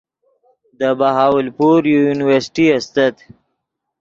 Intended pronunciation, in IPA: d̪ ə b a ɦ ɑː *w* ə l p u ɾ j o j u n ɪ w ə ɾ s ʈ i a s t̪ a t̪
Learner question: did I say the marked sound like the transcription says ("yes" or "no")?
yes